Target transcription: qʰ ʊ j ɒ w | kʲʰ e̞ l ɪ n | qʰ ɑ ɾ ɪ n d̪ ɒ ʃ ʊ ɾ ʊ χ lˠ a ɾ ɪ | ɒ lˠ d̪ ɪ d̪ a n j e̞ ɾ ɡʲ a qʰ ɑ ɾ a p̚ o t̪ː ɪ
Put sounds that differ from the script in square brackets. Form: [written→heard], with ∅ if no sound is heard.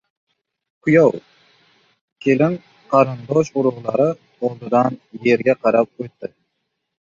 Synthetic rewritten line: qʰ ʊ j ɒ w | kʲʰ e̞ l ɪ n | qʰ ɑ ɾ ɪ n d̪ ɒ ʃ ʊ ɾ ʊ [χ→ʁ] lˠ a ɾ ɪ | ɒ lˠ d̪ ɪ d̪ a n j e̞ ɾ ɡʲ a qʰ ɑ ɾ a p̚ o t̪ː ɪ